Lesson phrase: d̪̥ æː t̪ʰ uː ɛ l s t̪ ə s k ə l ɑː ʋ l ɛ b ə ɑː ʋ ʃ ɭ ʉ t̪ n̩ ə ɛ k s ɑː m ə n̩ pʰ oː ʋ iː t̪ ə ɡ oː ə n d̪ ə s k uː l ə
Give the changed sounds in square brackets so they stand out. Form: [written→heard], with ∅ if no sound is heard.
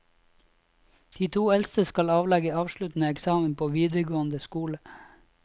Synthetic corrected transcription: d̪̥ [æː→iː] t̪ʰ uː ɛ l s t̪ ə s k [ə→ɑ] l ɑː ʋ l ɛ [b→ɡ] ə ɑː ʋ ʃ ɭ ʉ t̪ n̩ ə ɛ k s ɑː m ə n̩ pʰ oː ʋ iː [t̪→d̪] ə ɡ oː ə n d̪ ə s k uː l ə